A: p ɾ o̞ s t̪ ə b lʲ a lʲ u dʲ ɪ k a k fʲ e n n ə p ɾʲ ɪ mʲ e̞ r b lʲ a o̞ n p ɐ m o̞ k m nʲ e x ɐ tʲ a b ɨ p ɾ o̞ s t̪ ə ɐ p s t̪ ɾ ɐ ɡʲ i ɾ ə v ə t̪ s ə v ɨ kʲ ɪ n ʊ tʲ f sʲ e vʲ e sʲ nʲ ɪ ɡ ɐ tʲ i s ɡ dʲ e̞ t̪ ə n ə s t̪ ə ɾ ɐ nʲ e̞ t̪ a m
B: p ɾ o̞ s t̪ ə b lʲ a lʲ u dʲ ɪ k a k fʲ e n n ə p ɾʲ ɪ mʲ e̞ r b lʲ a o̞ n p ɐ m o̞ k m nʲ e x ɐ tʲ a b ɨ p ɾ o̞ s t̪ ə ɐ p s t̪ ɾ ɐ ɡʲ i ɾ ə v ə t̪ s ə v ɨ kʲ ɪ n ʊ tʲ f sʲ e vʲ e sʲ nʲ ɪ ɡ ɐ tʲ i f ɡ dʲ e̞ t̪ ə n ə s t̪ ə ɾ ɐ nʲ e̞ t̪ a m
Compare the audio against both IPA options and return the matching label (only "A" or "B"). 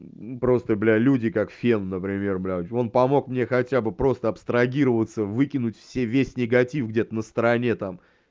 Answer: B